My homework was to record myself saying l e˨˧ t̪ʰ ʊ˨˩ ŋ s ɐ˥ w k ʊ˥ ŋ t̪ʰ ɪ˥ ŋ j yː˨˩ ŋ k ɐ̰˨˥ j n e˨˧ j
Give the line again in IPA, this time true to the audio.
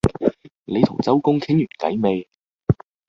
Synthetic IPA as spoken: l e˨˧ t̪ʰ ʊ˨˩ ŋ t͡s ɐ˥ w k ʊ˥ ŋ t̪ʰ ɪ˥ ŋ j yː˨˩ n k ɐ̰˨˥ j m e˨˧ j

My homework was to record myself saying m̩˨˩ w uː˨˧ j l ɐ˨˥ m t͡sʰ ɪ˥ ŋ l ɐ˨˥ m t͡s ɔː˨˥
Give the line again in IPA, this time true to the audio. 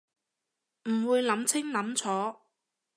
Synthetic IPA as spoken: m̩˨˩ w uː˨˧ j l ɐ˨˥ m t͡sʰ ɪ˥ ŋ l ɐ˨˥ m t͡sʰ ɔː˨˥

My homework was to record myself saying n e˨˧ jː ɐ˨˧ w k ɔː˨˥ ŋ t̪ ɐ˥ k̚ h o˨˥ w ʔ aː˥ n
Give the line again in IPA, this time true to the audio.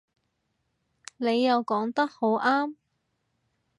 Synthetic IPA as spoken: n e˨˧ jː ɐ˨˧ w k ɔː˨˥ ŋ t̪ ɐ˥ k̚ h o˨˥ w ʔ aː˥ m

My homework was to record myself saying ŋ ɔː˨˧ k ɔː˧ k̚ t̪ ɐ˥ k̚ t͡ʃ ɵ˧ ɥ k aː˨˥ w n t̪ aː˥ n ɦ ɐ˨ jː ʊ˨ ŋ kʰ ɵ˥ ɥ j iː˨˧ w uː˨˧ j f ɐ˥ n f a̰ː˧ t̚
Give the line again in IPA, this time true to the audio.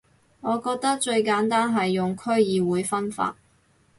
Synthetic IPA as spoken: ŋ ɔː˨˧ k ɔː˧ k̚ t̪ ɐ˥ k̚ t͡ʃ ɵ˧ ɥ k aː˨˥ n t̪ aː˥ n ɦ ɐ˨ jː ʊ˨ ŋ kʰ ɵ˥ ɥ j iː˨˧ w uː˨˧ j f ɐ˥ n f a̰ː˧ t̚

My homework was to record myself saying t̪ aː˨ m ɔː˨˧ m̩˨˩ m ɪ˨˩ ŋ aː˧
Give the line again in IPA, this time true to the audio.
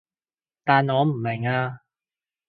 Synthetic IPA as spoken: t̪ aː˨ n ɔː˨˧ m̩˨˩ m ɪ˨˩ ŋ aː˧

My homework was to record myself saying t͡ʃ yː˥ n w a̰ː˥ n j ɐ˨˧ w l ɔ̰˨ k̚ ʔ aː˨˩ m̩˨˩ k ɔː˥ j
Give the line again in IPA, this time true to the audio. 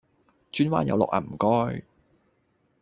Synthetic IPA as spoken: t͡ʃ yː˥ n w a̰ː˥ n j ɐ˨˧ w l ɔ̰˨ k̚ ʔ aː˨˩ m̩˨˩ k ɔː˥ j

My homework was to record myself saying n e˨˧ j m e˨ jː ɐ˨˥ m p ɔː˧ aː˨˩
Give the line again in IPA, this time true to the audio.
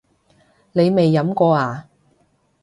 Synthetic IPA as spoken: n e˨˧ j m e˨ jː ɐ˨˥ m k ɔː˧ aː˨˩

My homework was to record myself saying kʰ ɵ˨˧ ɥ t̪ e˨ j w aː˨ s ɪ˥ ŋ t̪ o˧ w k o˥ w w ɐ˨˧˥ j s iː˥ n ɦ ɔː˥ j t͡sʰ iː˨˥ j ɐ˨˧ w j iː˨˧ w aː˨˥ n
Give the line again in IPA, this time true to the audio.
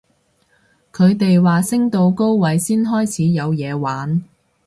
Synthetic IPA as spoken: kʰ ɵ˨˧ ɥ t̪ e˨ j w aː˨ s ɪ˥ ŋ t̪ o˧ w k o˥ w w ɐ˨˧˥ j s iː˥ n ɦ ɔː˥ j t͡sʰ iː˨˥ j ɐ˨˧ w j ɛː˨˧ w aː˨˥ n

